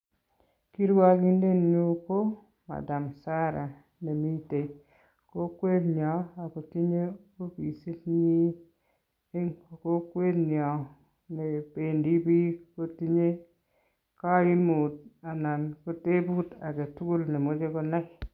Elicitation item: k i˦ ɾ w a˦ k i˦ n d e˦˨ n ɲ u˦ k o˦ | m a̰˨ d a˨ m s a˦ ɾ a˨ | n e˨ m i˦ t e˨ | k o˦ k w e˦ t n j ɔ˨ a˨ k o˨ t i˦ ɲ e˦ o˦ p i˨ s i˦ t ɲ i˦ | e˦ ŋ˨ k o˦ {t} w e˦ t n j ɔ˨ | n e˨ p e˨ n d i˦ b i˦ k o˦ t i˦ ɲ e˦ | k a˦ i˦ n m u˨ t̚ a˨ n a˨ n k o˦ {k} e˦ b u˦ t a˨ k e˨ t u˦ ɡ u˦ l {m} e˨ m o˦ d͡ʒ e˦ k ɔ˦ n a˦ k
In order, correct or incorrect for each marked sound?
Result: incorrect, incorrect, incorrect

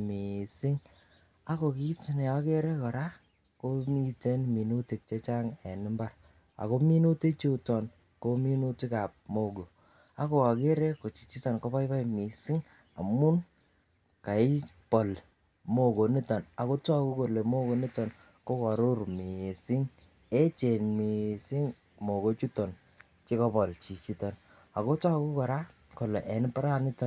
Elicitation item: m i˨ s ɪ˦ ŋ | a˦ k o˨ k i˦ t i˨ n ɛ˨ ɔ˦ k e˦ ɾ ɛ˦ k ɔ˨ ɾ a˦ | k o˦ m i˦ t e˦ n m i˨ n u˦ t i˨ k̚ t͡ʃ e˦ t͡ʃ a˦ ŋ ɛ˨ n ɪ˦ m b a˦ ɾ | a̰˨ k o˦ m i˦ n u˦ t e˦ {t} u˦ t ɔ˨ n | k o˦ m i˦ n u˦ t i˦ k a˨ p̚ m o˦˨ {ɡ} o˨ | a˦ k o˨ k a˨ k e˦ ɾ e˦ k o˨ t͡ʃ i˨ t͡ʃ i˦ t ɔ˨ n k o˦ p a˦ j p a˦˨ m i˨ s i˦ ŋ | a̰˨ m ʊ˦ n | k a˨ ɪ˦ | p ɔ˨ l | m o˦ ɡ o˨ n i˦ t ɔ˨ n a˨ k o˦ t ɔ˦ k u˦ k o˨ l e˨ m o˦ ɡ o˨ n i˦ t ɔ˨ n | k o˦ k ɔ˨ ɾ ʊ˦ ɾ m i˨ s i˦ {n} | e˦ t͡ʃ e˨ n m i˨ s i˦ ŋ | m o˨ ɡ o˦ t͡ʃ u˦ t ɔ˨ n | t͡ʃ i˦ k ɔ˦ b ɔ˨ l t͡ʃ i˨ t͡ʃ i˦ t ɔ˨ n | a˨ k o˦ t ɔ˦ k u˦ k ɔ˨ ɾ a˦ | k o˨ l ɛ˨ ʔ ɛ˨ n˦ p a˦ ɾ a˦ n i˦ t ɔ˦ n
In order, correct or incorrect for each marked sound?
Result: incorrect, correct, incorrect

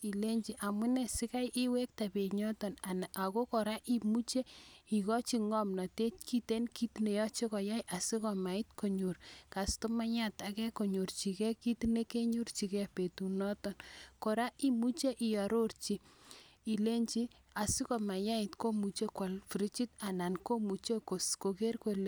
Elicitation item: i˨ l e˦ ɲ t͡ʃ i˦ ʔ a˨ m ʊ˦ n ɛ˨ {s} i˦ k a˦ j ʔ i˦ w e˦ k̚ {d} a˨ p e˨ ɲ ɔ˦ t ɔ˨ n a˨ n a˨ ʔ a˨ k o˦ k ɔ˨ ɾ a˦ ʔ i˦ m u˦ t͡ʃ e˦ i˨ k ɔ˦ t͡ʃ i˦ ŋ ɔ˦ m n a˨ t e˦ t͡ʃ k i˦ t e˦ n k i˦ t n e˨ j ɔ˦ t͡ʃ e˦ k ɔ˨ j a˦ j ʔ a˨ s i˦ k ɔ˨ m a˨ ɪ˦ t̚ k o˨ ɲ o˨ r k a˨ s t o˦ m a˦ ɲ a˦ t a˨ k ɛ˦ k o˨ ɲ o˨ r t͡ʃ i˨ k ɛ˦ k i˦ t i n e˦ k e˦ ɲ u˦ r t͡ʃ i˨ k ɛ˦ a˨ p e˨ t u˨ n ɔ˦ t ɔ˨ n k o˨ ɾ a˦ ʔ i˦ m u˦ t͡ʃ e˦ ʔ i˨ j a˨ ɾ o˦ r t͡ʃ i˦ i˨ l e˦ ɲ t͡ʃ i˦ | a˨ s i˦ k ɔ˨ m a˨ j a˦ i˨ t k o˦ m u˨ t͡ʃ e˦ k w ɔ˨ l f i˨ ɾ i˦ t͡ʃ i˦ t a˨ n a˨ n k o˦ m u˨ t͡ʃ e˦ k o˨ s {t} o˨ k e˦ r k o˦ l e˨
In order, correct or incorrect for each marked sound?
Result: correct, incorrect, incorrect

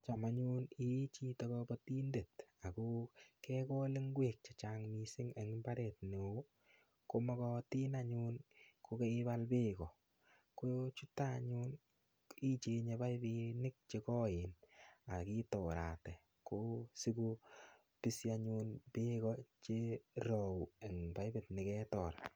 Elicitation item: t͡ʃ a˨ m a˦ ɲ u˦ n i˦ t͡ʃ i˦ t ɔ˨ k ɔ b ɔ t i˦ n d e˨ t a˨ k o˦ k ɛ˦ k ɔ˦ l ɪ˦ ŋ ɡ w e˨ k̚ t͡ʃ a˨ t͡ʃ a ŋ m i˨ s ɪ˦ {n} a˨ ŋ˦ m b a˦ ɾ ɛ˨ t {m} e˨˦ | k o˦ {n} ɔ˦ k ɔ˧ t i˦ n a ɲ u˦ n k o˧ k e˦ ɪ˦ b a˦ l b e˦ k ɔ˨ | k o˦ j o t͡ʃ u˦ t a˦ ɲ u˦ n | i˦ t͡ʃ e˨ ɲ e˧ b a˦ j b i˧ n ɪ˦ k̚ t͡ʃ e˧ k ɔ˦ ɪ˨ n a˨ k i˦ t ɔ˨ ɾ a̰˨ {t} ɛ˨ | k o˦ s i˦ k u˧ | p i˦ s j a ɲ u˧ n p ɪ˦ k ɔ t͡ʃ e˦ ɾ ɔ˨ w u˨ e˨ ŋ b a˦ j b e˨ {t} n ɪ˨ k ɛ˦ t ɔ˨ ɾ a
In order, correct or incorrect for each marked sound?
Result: incorrect, incorrect, incorrect, correct, correct

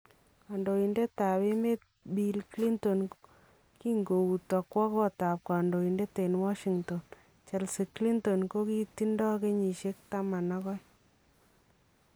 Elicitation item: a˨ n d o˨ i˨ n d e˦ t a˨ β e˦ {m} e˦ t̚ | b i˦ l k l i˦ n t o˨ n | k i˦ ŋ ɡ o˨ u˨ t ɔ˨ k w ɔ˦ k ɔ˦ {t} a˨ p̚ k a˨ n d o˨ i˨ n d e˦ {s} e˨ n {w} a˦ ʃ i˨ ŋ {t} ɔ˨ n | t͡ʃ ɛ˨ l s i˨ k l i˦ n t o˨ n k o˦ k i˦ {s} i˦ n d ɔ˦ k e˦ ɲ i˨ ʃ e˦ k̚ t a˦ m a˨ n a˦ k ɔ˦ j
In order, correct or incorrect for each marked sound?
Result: correct, correct, incorrect, correct, correct, incorrect

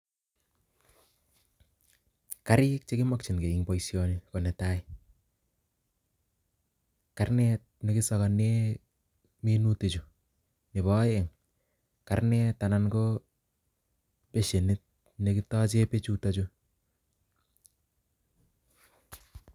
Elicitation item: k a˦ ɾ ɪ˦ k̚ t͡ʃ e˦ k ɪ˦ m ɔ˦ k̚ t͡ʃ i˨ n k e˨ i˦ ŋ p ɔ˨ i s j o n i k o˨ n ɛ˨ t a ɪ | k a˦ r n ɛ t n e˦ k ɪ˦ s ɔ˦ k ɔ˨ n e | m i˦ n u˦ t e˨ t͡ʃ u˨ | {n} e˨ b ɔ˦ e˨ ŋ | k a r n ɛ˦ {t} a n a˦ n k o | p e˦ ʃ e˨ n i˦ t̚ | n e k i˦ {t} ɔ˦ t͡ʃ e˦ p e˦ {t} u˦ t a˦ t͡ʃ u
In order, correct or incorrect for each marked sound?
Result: correct, correct, correct, incorrect

